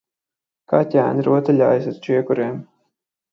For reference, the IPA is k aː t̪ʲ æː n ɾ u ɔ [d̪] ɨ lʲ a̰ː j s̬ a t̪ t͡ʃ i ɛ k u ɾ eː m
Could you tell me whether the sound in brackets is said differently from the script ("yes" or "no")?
yes